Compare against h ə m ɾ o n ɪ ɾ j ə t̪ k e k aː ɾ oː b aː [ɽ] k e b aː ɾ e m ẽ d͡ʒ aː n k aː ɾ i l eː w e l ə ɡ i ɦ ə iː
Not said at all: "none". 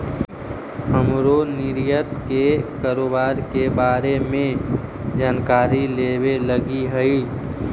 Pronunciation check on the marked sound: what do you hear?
ɾ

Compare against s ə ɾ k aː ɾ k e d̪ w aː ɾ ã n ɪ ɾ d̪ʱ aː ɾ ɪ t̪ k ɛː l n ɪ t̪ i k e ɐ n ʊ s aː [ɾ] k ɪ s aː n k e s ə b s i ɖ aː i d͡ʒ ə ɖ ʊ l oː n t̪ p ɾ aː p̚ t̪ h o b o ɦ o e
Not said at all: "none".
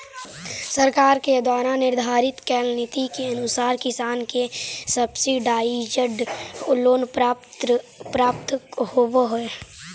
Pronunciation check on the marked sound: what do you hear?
ɾ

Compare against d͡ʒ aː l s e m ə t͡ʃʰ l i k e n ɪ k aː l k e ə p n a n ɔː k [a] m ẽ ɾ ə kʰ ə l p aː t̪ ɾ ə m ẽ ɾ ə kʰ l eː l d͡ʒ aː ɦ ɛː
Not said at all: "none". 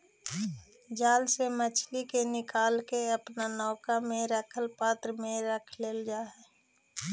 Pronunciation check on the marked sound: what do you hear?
a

